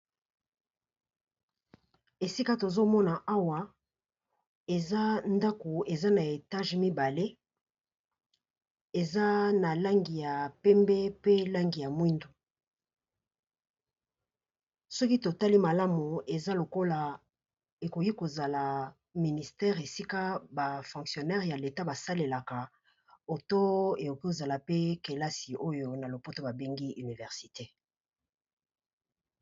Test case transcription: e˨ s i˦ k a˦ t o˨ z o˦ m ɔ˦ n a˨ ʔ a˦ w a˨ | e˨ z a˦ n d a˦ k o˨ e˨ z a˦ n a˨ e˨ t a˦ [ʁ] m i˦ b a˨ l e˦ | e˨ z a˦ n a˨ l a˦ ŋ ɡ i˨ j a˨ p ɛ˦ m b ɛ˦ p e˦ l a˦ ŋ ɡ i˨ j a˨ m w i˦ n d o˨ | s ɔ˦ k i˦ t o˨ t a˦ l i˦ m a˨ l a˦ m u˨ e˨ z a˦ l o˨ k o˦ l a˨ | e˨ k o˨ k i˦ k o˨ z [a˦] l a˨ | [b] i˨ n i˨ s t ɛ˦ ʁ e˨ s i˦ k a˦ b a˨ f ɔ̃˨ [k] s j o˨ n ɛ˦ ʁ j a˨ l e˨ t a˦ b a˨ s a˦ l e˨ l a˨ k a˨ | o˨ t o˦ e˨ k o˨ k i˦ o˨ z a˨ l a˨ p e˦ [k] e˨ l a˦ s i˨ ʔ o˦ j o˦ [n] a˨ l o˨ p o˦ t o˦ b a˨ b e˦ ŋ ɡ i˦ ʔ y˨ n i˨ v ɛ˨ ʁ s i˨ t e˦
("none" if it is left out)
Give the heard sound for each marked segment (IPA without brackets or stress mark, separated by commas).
ʒ, a˨, m, k, k, n